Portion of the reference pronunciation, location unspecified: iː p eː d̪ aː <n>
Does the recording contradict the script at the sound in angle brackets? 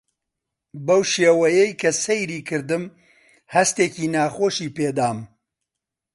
yes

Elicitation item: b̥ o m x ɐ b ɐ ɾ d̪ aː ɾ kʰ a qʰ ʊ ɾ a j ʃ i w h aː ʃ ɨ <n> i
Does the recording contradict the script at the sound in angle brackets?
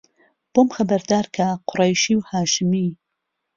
yes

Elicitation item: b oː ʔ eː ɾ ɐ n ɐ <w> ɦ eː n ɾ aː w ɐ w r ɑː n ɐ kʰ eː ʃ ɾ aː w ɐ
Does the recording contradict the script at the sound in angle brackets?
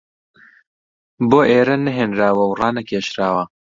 yes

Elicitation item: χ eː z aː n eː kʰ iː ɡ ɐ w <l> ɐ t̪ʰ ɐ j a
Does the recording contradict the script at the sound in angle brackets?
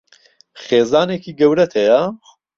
yes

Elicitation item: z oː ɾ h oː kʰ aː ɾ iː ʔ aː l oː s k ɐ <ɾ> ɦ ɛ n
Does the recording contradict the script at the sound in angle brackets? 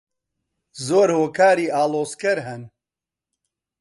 no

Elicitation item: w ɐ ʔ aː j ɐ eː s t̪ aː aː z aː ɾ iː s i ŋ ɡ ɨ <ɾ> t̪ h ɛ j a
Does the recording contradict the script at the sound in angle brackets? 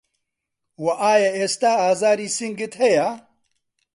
yes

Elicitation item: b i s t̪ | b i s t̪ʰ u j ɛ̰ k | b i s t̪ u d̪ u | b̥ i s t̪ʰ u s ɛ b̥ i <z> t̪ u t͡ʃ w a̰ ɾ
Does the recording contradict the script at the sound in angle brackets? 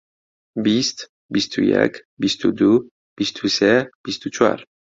yes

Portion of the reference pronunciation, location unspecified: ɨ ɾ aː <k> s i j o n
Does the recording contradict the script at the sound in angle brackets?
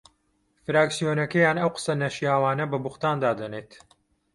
no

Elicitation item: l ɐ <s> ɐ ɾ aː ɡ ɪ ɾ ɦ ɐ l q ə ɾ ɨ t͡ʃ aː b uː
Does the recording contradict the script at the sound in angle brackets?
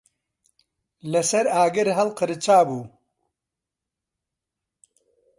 no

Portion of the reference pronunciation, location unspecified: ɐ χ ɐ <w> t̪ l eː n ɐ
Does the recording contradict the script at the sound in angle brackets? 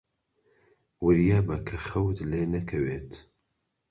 no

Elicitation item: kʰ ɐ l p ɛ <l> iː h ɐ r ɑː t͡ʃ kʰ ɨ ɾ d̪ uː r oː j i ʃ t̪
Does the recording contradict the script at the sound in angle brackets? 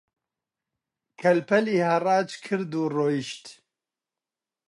no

